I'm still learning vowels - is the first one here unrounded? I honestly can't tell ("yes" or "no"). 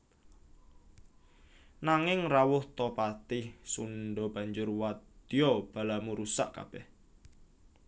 yes